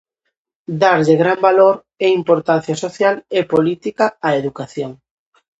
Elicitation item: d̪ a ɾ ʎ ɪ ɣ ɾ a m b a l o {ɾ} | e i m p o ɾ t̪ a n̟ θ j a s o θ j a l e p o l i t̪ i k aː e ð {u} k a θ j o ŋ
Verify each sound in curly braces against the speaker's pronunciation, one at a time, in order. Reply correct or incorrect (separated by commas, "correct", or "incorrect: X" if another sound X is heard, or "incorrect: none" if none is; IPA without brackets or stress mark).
correct, correct